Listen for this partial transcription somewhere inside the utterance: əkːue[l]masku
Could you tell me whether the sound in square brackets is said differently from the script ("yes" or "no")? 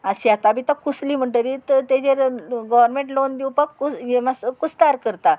yes